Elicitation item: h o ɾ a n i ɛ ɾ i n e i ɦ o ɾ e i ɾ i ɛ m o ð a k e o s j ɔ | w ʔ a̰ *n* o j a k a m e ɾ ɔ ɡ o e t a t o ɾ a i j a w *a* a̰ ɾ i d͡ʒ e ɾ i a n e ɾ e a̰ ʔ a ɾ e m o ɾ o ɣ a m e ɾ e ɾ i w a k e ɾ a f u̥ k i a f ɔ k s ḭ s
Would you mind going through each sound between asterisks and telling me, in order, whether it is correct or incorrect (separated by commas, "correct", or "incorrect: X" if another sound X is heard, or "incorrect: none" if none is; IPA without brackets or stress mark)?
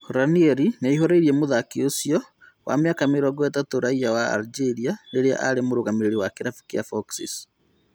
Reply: incorrect: m, correct